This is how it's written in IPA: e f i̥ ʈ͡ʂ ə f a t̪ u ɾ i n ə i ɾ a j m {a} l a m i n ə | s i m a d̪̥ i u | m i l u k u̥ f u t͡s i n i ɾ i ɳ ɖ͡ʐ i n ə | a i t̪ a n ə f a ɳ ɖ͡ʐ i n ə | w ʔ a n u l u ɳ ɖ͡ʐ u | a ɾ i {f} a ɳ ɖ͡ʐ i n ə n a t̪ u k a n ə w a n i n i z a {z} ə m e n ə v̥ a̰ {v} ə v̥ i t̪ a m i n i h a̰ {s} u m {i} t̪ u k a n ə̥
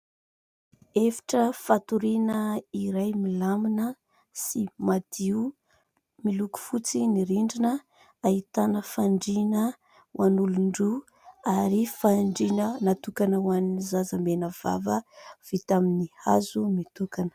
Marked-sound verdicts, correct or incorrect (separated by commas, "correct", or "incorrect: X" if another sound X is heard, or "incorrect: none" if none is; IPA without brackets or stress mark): incorrect: i, correct, correct, correct, incorrect: z, correct